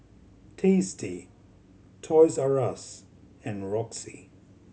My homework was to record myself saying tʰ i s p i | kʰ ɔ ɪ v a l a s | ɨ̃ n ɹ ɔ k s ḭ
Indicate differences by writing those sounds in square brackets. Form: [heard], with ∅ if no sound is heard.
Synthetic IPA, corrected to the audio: tʰ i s [t] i | [tʰ] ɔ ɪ [z] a [ɹ] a s | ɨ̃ n ɹ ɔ k s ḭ